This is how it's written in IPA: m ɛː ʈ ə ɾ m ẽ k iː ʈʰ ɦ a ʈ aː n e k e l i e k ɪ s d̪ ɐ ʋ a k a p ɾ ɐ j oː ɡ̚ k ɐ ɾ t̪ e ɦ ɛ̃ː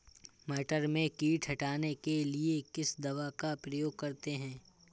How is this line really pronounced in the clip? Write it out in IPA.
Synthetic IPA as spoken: m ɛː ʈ ə ɾ m ẽ k iː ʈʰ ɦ ɐ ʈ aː n e k e l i e k ɪ s d̪ ɐ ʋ a k a p ɾ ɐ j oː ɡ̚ k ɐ ɾ t̪ e ɦ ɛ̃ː